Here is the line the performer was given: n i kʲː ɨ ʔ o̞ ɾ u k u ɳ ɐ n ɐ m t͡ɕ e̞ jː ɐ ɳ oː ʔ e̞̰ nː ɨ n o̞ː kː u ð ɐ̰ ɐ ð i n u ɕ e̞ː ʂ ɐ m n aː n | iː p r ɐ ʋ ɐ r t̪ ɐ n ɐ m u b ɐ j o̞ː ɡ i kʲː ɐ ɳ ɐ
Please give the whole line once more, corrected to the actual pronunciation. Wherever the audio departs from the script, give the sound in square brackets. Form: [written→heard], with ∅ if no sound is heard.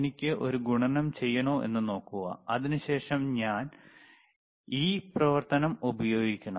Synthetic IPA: n i kʲː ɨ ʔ o̞ ɾ u [k→ɡ] u ɳ ɐ n ɐ m t͡ɕ e̞ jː ɐ ɳ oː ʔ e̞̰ nː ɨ n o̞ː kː u [ð→ɣ] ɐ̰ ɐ ð i n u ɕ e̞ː ʂ ɐ m [n→ɲ] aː n | iː p r ɐ ʋ ɐ r t̪ ɐ n ɐ m u b ɐ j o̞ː ɡ i kʲː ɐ ɳ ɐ